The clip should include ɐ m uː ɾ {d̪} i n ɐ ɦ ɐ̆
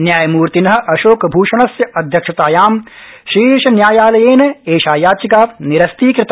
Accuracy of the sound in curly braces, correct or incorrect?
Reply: incorrect